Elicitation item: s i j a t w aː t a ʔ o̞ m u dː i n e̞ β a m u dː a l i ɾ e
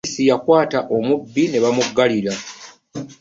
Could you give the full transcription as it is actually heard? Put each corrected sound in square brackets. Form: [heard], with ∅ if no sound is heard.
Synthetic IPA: s i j a [k] w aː t a ʔ o̞ m u [bː] i n e̞ β a m u [ɡː] a l i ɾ [a]